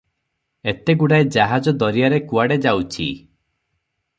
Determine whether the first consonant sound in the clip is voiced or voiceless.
voiceless